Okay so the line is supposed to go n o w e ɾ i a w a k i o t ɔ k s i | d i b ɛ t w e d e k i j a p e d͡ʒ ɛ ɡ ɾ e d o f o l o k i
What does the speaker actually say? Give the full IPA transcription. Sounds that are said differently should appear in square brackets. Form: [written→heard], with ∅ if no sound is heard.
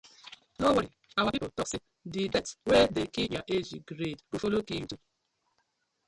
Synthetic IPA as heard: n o w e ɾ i a w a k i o t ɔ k s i | d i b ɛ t w e d e k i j a [p→ʔ] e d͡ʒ [ɛ→i] ɡ ɾ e d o f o l o k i